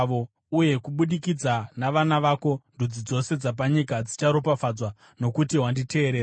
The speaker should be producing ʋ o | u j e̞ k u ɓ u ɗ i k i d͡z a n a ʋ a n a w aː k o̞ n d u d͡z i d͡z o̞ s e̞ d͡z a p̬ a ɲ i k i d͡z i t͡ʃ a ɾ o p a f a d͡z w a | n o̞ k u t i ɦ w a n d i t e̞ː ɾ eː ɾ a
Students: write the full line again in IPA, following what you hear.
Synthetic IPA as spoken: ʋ o | u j e̞ k u ɓ u ɗ i k i d͡z a n a ʋ a n a ʋ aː k o̞ n d u d͡z i d͡z o̞ s e̞ d͡z a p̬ a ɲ i k a d͡z i t͡ʃ a ɾ o p a f a d͡z w a | n o̞ k u t i ɦ w a n d i t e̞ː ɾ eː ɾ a